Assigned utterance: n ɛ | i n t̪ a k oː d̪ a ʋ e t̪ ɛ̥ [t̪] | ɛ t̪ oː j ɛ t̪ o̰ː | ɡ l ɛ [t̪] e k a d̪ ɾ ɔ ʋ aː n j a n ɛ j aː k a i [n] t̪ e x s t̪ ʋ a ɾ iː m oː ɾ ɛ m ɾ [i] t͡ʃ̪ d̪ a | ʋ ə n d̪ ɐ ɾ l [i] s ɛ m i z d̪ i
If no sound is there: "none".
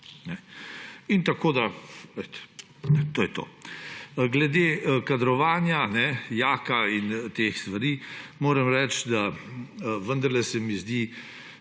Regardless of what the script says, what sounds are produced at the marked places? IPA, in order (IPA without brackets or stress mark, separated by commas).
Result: none, d̪, n, ɛ, ɛ